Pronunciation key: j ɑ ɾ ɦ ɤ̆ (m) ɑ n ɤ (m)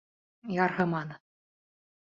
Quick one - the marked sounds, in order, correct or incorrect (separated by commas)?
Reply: correct, incorrect